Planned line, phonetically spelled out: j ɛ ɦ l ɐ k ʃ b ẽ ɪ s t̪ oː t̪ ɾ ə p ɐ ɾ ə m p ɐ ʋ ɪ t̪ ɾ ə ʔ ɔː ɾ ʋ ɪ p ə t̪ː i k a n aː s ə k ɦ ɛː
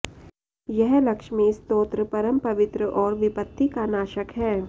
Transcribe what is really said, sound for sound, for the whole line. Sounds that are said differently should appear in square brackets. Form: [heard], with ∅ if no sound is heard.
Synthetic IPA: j ɛ ɦ l ɐ k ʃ [m] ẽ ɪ s t̪ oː t̪ ɾ ə p ɐ ɾ ə m p ɐ ʋ ɪ t̪ ɾ ə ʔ ɔː ɾ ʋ ɪ p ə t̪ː i k a n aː [ʃ] ə k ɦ ɛː